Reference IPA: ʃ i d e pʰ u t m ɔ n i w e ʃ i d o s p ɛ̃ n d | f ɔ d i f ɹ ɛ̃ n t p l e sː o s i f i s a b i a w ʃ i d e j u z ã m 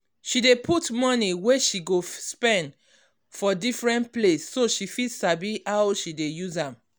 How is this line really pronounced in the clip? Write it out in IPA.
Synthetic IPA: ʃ i d e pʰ u t m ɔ n i w e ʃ i ɡ o s p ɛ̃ n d | f ɔ d i f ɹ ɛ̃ n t p l e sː o ʃ i f i s a b i a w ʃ i d e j u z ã m

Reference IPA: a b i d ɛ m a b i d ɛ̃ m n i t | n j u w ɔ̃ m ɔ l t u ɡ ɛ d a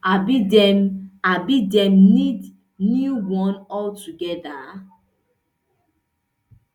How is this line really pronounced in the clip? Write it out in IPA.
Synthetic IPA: a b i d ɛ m a b i d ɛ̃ m n i d | n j u w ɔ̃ n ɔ l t u ɡ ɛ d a

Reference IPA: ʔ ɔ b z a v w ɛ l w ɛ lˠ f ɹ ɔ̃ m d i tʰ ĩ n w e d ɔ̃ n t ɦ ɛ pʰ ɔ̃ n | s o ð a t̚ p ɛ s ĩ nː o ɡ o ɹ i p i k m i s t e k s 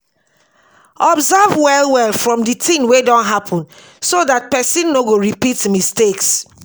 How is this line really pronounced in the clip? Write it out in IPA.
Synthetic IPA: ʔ ɔ b z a v w ɛ l w ɛ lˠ f ɹ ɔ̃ m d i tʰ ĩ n w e d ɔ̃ n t ɦ a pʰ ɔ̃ n | s o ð a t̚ p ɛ s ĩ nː o ɡ o ɹ i p i t m i s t e k s

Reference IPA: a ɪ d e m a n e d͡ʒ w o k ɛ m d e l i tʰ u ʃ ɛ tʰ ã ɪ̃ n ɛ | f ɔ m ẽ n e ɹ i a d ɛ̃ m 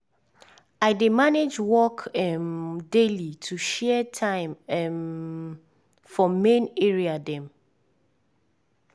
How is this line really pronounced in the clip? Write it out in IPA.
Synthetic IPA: a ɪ d e m a n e d͡ʒ w ɔ k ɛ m d e l i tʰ u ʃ ɛ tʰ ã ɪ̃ m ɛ | f ɔ m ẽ n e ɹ i a d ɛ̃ m

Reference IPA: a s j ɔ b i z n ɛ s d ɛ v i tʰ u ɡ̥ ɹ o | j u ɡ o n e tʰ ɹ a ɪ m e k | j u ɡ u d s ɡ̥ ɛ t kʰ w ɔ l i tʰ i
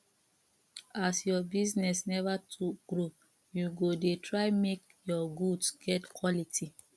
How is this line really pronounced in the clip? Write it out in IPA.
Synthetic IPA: a s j ɔ b i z n ɛ s n ɛ v a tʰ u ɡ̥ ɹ o | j u ɡ o d e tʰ ɹ a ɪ m e k | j ɔ ɡ u d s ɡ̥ ɛ t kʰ w ɔ l i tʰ i

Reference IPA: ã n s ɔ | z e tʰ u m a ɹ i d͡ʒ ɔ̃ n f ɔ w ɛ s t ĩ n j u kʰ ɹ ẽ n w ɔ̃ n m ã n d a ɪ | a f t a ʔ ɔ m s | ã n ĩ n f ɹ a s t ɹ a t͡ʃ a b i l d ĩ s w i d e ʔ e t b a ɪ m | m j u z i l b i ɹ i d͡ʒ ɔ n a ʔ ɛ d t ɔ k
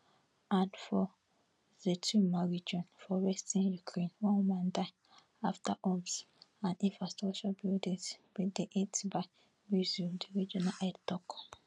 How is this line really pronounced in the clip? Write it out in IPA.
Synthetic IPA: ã n f ɔ | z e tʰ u m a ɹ i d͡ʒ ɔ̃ n f ɔ w ɛ s t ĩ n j u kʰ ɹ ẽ n w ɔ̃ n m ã n d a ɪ | a f t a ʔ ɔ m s | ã n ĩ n f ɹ a s t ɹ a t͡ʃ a b i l d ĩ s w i d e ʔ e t b a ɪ | m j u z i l d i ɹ i d͡ʒ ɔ n a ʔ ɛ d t ɔ k

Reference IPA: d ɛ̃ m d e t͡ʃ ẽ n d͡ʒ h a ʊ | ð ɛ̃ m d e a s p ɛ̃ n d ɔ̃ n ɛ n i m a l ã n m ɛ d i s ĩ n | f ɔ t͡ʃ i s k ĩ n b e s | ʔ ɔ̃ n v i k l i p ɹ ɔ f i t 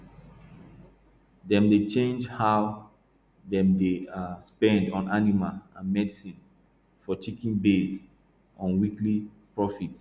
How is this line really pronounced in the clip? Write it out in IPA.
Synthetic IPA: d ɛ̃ m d e t͡ʃ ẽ n d͡ʒ h a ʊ | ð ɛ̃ m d e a s p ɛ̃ n d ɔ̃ n a n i m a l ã n m ɛ d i s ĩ n | f ɔ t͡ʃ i k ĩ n b e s | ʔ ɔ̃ n w i k l i p ɹ ɔ f i t

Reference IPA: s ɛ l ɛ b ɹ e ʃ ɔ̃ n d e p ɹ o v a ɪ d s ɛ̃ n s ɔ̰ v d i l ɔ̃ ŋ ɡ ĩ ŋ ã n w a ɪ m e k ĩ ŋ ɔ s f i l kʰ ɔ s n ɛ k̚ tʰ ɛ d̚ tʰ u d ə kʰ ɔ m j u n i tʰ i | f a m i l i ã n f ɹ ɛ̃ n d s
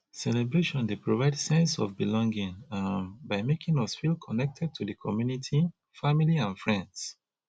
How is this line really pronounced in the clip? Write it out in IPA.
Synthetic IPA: s ɛ l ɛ b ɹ e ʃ ɔ̃ n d e p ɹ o v a ɪ d s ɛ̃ n s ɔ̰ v b i l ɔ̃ ŋ ɡ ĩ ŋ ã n b a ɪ m e k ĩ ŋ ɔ s f i l kʰ ɔ n ɛ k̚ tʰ ɛ d̚ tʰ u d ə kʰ ɔ m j u n i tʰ i | f a m i l i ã n f ɹ ɛ̃ n d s

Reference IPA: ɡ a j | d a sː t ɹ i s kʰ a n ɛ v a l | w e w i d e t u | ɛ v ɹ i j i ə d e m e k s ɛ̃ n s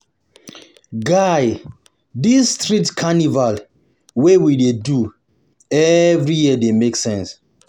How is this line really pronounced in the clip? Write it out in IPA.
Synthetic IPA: ɡ a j | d i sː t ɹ i t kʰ a n i v a l | w e w i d e d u | ɛ v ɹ i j i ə d e m e k s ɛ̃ n s

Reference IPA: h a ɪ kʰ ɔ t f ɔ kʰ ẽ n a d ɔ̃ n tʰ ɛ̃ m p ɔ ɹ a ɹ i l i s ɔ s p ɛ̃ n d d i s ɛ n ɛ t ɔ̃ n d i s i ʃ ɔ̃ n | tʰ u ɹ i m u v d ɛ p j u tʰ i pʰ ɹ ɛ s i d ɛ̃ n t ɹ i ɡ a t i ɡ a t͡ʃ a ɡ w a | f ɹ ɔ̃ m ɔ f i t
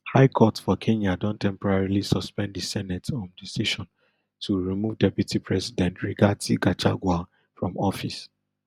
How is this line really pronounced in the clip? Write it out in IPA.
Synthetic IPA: h a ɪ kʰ ɔ t f ɔ kʰ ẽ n a d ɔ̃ n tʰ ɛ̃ m p ɔ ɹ a ɹ i l i s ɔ s p ɛ̃ n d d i s ɛ n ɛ t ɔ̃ n d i s i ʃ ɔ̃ n | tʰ u ɹ i m u v d ɛ p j u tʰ i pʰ ɹ ɛ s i d ɛ̃ n t ɹ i ɡ a t i ɡ a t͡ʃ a ɡ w a | f ɹ ɔ̃ m ɔ f i s

